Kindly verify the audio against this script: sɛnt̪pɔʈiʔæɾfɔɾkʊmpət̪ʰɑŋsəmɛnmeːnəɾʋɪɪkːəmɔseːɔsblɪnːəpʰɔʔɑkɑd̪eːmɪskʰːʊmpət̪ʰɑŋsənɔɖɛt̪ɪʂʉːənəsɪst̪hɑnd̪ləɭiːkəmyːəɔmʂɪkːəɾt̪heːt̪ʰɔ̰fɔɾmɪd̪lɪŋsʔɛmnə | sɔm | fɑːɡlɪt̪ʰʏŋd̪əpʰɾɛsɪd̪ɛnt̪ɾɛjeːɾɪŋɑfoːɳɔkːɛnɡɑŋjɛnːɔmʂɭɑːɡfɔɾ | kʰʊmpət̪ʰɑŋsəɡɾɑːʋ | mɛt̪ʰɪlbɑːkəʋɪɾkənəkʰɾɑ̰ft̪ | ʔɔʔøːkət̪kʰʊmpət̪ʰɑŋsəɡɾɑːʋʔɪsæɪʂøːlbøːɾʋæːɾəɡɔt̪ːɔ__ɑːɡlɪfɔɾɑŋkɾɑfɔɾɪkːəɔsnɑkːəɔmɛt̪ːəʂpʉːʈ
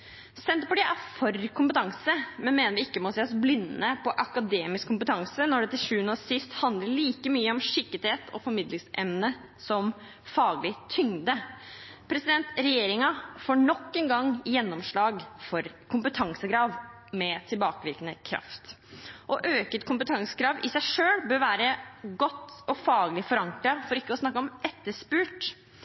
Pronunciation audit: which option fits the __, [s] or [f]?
f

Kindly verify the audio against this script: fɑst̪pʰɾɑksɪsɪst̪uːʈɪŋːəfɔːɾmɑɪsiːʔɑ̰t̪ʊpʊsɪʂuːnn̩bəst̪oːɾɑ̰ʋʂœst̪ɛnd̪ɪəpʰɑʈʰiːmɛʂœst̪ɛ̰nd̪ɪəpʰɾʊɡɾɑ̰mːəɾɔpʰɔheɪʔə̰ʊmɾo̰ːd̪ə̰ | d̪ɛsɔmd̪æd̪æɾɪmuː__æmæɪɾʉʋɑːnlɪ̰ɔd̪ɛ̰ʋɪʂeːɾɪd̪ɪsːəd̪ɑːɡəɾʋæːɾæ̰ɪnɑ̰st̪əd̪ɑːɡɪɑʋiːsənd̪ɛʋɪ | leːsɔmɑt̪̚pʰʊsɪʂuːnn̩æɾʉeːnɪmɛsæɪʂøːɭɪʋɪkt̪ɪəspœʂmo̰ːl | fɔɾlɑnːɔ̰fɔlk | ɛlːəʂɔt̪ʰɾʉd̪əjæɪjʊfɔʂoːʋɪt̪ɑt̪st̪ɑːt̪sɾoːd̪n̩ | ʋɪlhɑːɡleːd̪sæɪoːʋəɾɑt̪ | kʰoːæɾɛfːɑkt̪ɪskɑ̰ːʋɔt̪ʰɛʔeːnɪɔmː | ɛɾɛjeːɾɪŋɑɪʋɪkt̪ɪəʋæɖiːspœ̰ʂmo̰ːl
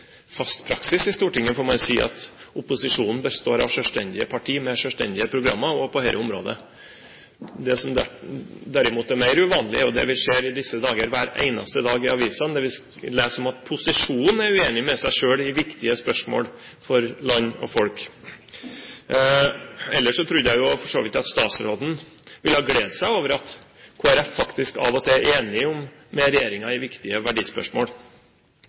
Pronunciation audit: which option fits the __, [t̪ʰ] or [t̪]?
t̪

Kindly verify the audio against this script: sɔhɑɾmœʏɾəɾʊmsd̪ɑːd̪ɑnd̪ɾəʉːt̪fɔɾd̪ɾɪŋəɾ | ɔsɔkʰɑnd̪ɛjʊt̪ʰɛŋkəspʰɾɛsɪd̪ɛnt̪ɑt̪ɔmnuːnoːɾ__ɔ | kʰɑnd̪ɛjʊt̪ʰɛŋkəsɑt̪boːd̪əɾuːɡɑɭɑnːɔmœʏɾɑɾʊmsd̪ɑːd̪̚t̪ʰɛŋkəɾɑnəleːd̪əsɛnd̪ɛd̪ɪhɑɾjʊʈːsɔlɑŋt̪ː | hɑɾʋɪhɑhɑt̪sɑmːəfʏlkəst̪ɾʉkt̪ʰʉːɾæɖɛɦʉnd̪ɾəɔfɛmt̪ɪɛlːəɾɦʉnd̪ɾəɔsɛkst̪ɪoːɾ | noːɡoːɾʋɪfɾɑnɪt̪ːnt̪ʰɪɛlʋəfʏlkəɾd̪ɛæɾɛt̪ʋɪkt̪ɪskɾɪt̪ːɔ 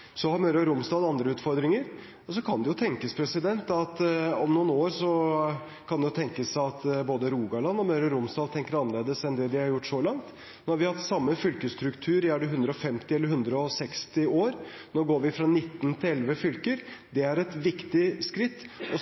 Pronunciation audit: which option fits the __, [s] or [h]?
s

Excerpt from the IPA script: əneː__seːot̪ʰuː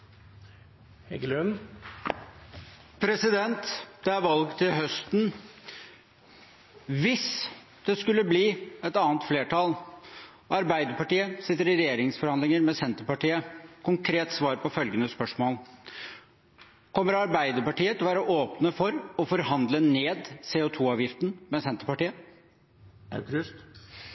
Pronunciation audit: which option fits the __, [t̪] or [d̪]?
d̪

